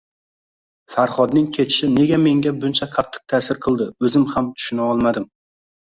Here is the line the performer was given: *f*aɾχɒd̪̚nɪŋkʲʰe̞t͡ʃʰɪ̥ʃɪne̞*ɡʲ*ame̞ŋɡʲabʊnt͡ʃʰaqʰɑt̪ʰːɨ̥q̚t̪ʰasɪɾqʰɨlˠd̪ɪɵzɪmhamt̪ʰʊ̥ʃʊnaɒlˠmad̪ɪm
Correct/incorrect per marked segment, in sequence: correct, correct

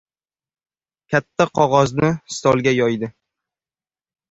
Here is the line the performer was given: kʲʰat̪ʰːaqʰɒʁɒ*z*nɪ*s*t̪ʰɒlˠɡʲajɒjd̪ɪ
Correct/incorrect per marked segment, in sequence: correct, correct

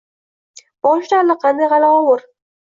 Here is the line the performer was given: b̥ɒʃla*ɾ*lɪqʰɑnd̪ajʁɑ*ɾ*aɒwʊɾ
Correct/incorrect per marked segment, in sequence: correct, incorrect

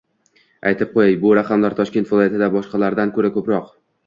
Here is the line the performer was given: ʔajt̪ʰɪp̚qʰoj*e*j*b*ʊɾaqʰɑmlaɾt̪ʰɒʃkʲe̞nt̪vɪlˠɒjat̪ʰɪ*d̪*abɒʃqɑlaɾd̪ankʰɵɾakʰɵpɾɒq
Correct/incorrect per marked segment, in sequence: incorrect, correct, correct

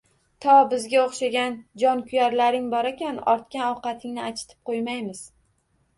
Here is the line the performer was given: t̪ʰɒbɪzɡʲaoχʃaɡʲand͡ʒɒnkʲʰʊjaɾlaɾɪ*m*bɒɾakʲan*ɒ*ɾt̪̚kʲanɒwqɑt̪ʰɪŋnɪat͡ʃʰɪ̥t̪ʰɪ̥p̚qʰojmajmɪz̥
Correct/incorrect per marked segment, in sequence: incorrect, correct

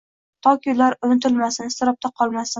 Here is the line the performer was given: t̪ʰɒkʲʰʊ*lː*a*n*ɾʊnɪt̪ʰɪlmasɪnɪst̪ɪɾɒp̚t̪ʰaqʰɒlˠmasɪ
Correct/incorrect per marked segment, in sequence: incorrect, incorrect

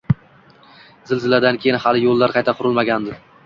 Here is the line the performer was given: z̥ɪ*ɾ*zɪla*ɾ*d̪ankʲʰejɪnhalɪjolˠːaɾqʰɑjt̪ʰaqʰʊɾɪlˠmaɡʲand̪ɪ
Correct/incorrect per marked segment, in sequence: incorrect, incorrect

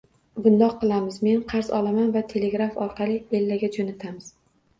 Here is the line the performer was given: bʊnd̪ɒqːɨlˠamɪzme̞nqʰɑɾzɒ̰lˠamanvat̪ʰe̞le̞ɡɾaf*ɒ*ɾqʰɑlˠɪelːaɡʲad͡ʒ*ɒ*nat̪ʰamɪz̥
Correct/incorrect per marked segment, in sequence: correct, incorrect

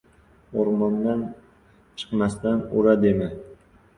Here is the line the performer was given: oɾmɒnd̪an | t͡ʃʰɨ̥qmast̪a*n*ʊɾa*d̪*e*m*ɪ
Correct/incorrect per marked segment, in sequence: correct, correct, correct

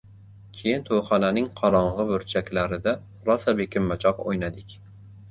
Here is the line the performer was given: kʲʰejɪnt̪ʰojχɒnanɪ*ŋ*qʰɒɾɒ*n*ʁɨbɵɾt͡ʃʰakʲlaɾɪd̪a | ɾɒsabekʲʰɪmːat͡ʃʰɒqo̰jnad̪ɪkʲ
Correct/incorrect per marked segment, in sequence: correct, incorrect

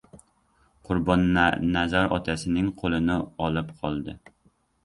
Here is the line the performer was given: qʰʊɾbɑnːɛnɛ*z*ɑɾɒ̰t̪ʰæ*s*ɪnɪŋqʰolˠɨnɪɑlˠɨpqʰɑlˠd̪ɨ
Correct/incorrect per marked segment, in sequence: correct, correct

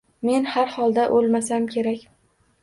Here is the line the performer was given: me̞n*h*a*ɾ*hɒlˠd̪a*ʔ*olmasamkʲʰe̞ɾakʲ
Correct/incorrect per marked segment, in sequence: correct, correct, correct

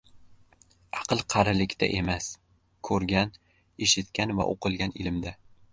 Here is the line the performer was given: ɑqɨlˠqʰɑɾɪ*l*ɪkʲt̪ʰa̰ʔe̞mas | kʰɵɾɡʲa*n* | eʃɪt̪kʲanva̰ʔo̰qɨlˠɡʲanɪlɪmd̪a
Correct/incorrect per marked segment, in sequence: correct, correct

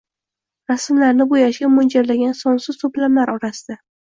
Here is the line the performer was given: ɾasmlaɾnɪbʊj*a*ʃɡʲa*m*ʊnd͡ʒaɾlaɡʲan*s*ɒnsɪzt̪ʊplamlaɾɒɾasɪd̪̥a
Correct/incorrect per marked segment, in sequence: correct, correct, correct

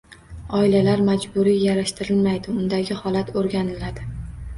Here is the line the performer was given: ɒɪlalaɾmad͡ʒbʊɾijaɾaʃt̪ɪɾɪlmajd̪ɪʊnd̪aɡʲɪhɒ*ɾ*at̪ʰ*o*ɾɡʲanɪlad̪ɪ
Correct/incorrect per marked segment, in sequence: incorrect, correct

